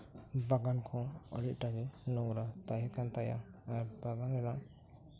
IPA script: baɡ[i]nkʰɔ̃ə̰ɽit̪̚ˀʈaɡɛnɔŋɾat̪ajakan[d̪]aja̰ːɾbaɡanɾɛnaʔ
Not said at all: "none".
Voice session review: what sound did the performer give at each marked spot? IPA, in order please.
a, t̪

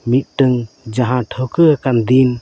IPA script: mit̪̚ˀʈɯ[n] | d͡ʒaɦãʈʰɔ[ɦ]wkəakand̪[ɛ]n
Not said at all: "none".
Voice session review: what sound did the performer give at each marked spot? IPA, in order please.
ŋ, none, i

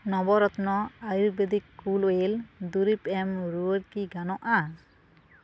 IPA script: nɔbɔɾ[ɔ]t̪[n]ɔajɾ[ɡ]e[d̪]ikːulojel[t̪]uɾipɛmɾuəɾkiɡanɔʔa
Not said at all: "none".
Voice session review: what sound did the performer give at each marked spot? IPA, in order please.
ɔ, n, b, d̪, d̪

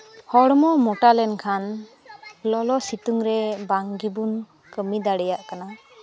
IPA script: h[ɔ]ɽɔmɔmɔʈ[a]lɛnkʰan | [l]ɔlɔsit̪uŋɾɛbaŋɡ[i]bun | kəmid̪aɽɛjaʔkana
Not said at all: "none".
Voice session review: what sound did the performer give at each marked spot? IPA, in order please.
ɔ, a, l, i

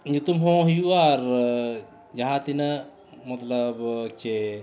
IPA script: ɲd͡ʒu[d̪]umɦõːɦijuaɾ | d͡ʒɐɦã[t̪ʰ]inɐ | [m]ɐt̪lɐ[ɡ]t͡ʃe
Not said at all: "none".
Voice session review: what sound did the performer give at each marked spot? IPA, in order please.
t̪, t̪, m, b

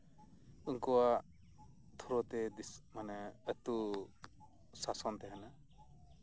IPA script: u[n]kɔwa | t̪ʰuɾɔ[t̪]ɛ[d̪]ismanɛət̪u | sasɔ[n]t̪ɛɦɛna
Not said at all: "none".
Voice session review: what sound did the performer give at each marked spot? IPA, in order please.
ŋ, t̪, d̪, n

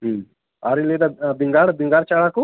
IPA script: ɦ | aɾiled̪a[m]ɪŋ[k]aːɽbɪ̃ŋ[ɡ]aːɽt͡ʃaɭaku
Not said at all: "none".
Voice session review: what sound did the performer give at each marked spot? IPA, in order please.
b, ɡ, ɡ

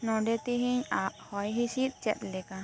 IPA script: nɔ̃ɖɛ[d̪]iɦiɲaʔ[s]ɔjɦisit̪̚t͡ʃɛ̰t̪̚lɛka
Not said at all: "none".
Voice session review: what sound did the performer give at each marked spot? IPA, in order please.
t̪, h

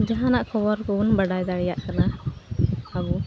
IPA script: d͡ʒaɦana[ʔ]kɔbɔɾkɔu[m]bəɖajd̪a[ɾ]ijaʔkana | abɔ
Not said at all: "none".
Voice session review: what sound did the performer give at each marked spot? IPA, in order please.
ʔ, n, ɽ

